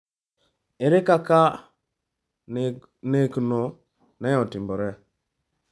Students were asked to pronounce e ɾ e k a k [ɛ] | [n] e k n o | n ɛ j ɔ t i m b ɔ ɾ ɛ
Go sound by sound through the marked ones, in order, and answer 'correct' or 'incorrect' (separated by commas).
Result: incorrect, correct